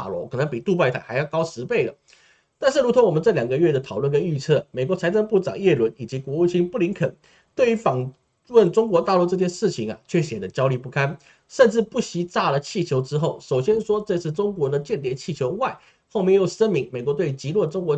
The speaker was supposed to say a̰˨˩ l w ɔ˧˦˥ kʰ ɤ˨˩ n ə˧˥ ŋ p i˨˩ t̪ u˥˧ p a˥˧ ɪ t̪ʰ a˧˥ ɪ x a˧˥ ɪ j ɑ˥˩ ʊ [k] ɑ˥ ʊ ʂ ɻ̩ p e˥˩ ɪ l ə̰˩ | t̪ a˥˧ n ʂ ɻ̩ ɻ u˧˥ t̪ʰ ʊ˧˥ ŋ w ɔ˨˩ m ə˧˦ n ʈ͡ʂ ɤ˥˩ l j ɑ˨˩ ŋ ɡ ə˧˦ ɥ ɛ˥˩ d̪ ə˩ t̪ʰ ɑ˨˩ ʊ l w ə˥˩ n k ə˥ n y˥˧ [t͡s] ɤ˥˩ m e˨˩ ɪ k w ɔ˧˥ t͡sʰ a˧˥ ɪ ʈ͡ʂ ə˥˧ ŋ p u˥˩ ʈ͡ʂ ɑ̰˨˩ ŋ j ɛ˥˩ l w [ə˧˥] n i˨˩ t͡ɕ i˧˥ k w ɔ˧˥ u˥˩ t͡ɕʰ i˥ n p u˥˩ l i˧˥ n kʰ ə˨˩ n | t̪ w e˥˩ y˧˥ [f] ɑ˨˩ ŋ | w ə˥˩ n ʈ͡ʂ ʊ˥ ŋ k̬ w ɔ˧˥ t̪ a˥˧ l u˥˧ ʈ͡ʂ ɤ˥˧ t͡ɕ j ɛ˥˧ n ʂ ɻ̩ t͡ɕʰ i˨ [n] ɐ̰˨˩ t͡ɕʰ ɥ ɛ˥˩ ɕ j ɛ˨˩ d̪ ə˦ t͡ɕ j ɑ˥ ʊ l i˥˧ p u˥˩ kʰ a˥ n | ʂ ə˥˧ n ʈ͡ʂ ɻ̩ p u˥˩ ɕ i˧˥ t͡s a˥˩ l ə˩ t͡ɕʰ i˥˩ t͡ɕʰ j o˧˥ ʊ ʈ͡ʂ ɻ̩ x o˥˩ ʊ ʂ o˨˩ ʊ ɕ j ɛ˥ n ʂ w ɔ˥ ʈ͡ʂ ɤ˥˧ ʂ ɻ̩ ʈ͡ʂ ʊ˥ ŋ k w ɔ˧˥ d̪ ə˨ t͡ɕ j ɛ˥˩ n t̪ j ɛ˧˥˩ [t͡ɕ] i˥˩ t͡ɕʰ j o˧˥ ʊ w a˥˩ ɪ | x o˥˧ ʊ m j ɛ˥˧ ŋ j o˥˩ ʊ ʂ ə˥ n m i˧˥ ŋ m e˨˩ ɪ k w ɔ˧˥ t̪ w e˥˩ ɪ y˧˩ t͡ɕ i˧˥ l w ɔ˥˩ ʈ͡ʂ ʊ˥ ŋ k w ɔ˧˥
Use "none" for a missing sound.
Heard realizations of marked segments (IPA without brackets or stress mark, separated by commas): k, t͡sʰ, ə˧˥, f, ŋ, t͡ɕʰ